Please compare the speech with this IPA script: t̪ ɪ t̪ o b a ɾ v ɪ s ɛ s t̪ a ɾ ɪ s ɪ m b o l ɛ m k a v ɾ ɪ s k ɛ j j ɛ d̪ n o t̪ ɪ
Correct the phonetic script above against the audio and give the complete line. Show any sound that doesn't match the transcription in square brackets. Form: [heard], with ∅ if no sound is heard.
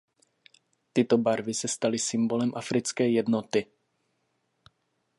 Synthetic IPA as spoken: t̪ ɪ t̪ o b a ɾ v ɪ s ɛ s t̪ a [l] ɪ s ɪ m b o l ɛ m [ʔ] a [f] ɾ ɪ [t͡s] k ɛ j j ɛ d̪ n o t̪ ɪ